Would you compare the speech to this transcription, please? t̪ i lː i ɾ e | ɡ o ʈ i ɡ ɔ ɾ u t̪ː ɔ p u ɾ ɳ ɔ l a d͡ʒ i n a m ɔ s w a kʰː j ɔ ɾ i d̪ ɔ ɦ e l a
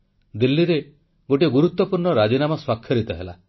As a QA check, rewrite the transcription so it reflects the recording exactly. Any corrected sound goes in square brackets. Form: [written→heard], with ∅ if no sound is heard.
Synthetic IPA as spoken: [t̪→d̪] i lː i ɾ e | ɡ o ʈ i ɡ [ɔ→u] ɾ u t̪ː ɔ p u ɾ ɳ ɔ [l→ɾ] a d͡ʒ i n a m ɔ s w a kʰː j ɔ ɾ i [d̪→t̪] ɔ ɦ e l a